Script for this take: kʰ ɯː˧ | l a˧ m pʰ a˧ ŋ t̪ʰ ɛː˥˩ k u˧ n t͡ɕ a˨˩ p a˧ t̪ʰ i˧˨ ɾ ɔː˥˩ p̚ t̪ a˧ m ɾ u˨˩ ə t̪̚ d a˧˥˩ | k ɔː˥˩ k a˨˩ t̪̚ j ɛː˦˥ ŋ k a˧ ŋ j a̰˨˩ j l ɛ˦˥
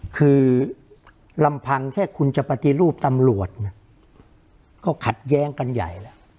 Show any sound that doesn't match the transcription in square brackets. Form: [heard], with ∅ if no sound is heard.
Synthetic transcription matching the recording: kʰ ɯː˧ | l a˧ m pʰ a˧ ŋ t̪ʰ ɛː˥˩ [kʰ] u˧ n t͡ɕ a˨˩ p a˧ [t̪] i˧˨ ɾ [uː˥˩] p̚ t̪ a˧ m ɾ u˨˩ ə t̪̚ [n] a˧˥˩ | k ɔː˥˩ [kʰ] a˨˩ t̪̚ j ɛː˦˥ ŋ k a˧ [n] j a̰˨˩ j l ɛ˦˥

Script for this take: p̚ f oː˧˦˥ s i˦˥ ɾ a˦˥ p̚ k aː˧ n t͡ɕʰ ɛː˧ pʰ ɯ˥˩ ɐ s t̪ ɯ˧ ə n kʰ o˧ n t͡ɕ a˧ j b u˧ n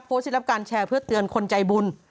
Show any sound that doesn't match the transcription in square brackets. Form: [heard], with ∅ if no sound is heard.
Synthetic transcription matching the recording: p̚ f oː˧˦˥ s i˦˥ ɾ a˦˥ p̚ k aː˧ n t͡ɕʰ ɛː˧ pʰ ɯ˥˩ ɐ [∅] t̪ ɯ˧ ə n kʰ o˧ n t͡ɕ a˧ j b u˧ n

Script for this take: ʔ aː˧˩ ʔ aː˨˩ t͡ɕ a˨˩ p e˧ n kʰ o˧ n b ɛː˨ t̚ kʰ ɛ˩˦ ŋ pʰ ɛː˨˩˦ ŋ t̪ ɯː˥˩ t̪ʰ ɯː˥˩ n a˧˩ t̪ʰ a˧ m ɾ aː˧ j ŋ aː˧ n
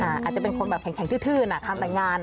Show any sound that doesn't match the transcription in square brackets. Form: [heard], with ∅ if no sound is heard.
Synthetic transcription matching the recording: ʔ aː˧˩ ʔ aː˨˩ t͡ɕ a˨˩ p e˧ n kʰ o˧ n b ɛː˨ [p̚] kʰ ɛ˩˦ ŋ [kʰ] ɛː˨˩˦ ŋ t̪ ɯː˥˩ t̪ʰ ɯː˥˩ n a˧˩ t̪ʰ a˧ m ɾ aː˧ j ŋ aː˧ n

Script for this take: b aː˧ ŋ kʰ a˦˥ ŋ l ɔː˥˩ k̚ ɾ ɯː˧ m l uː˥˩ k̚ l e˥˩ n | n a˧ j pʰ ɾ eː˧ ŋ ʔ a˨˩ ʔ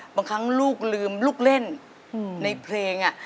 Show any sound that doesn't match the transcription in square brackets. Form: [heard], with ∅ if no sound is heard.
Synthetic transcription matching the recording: b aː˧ ŋ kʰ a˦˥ ŋ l [uː˥˩] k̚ [l] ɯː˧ m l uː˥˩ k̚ l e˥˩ n | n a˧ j pʰ [l] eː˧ ŋ ʔ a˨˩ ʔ

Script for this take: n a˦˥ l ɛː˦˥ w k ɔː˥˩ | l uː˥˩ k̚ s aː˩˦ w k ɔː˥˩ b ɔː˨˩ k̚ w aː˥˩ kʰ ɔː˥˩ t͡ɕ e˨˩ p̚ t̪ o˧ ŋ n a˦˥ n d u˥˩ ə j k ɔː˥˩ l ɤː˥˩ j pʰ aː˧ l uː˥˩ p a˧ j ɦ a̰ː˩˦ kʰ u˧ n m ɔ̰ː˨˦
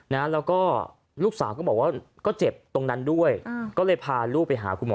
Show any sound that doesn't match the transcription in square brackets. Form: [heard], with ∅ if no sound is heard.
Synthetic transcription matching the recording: n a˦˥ l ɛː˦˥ w k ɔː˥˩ | l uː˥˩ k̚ s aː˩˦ w k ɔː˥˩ b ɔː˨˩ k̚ w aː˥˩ [k] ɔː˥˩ t͡ɕ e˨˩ p̚ t̪ o˧ ŋ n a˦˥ n d u˥˩ ə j k ɔː˥˩ l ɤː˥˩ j pʰ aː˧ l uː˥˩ p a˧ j ɦ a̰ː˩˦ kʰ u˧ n m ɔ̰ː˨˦

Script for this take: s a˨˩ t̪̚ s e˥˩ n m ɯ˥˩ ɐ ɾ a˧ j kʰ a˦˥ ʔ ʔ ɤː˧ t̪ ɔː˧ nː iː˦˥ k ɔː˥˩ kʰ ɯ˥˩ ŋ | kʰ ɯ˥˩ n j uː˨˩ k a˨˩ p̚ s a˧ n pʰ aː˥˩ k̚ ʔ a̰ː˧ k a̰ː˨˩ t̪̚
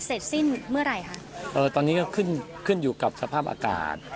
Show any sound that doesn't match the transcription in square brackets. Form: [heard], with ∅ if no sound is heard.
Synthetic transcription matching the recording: s [e˨˩] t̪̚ s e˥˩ n m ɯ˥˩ ɐ ɾ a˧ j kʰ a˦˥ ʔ ʔ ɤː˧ t̪ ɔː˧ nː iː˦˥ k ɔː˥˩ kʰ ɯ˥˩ [n] | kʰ ɯ˥˩ n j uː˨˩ k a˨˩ p̚ s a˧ [∅] pʰ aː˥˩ [p̚] ʔ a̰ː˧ k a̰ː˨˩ t̪̚

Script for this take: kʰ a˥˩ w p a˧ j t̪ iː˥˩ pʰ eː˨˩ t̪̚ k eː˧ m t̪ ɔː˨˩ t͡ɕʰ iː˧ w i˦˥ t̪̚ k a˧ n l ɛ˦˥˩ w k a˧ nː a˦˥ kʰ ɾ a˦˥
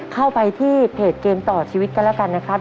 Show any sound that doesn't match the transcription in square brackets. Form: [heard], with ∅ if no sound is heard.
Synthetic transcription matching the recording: kʰ a˥˩ w p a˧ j [t̪ʰ] iː˥˩ pʰ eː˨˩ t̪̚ k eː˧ m t̪ ɔː˨˩ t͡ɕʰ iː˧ w i˦˥ t̪̚ k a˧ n l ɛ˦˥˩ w k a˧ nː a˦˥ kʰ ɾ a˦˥

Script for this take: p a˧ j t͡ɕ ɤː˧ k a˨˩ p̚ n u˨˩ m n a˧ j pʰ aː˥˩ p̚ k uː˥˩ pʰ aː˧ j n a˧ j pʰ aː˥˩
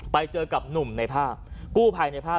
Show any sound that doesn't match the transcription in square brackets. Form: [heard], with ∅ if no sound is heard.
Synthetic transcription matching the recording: p a˧ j t͡ɕ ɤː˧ k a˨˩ p̚ n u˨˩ m n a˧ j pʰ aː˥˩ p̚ k uː˥˩ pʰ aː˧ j n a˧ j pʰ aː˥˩

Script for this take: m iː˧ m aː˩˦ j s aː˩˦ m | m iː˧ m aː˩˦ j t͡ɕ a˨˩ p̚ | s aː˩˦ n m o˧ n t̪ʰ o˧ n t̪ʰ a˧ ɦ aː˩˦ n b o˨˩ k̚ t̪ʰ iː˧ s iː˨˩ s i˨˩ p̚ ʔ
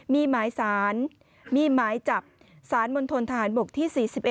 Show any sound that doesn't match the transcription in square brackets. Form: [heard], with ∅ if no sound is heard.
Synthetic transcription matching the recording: m iː˧ m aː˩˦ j s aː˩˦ [n] | m iː˧ m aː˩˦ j t͡ɕ a˨˩ p̚ | s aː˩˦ n m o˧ n t̪ʰ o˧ n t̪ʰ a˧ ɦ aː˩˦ n b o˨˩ k̚ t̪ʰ [iː˥˩] s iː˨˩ s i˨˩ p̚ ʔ

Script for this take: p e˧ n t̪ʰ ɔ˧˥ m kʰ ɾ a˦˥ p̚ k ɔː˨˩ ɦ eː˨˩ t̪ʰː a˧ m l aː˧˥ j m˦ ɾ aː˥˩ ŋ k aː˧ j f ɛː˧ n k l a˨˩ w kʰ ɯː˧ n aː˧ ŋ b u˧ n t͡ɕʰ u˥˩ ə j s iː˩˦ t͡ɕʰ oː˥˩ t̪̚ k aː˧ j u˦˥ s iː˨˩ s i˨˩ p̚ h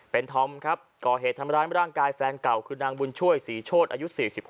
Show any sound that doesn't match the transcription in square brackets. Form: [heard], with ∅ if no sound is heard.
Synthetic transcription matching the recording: p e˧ n t̪ʰ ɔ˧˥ m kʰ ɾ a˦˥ p̚ k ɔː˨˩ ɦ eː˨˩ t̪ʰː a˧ m [ɾ] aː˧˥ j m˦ ɾ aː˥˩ ŋ k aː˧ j f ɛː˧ n k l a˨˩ w kʰ ɯː˧ n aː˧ ŋ b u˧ n t͡ɕʰ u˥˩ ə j s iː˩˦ t͡ɕʰ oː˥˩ t̪̚ [ʔ] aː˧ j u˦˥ s iː˨˩ s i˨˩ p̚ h

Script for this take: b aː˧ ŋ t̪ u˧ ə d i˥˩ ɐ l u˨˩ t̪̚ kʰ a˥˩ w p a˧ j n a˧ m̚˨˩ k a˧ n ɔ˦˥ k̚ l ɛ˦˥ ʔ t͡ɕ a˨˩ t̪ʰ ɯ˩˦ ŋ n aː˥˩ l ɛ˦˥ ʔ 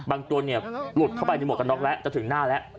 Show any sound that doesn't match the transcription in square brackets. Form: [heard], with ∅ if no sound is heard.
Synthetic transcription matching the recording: b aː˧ ŋ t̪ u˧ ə [n] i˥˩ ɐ l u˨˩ t̪̚ kʰ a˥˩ w p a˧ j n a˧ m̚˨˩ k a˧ n ɔ˦˥ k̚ l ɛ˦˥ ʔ t͡ɕ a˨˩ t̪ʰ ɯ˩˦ ŋ n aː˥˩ l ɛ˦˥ ʔ

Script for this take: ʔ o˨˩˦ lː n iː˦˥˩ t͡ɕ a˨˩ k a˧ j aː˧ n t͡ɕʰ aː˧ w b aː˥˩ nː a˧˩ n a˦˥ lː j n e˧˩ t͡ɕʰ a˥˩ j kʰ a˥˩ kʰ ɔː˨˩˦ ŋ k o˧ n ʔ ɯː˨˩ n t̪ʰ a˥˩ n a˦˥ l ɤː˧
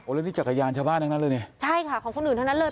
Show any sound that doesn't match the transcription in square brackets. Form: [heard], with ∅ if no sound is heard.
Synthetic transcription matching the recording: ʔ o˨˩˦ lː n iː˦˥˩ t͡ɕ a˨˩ k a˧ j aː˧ n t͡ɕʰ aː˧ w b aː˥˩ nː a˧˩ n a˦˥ lː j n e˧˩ t͡ɕʰ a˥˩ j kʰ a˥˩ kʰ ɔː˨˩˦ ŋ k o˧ n ʔ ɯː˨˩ n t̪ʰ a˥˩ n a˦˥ l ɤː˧

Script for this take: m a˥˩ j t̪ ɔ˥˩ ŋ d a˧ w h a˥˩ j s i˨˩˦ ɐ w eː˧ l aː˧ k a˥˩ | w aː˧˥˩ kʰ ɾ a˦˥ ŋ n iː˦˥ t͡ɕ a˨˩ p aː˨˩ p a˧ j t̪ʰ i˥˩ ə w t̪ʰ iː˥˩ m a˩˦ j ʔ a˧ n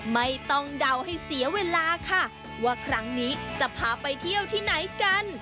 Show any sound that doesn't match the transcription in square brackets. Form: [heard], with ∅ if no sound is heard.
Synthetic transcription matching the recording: m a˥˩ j t̪ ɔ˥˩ ŋ d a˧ w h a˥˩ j s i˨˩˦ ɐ w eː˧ l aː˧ [kʰ] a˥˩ | w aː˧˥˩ kʰ ɾ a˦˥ ŋ n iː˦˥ t͡ɕ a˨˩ [pʰ] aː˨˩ p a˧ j t̪ʰ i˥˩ ə w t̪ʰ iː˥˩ [n] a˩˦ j [k] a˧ n

